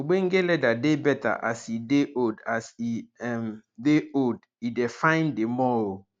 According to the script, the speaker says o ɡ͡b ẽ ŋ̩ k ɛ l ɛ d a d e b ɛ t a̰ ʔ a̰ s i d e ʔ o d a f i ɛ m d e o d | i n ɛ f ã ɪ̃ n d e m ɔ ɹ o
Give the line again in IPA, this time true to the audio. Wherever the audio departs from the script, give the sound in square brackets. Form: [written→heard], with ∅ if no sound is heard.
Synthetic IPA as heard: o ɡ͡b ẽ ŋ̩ [k→ɡ] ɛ l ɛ d a d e b ɛ t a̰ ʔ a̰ s i d e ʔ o d a [f→s] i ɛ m d e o d | i [n→d] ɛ f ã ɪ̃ n d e m ɔ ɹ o